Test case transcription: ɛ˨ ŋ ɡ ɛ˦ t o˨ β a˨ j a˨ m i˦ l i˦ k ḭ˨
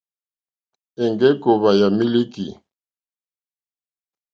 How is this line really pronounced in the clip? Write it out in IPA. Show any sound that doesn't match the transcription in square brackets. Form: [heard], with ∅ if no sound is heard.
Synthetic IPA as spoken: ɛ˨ ŋ ɡ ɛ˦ [k] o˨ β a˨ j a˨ m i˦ l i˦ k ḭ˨